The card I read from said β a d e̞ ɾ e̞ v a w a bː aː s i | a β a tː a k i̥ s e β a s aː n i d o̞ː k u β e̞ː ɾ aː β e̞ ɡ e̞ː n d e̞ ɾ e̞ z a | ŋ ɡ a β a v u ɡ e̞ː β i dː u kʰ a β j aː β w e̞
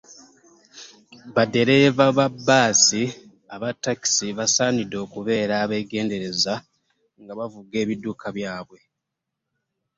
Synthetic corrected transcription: β a d e̞ ɾ e̞ v a β a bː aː s i | a β a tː a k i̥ s i β a s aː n i d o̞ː k u β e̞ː ɾ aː β e̞ ɡ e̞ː n d e̞ ɾ e̞ z a | ŋ ɡ a β a v u ɡ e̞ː β i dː u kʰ a β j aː β w e̞